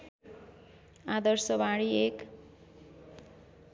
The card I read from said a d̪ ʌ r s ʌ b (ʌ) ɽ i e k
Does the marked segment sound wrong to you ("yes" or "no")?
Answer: yes